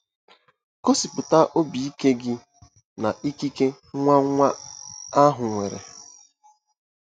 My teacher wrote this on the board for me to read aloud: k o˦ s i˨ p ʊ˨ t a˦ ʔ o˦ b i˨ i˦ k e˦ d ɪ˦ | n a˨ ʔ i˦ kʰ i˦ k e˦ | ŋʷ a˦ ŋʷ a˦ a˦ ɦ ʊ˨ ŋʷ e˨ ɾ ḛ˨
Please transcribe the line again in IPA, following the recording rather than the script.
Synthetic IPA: k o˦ s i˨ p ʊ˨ t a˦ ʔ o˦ b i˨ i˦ k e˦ ɡ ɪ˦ | n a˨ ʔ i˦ k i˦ k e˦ | ŋʷ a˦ ŋʷ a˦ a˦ ɦ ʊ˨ ŋʷ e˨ ɾ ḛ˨